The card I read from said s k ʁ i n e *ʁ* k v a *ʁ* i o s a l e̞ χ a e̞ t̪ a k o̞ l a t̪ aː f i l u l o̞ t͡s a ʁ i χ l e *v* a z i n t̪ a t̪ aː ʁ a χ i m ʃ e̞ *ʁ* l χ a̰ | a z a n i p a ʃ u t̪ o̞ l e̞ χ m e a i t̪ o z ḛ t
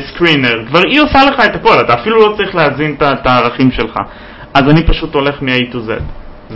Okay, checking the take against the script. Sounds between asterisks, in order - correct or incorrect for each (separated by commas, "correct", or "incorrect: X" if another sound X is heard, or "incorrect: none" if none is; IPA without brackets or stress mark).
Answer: correct, correct, incorrect: none, incorrect: none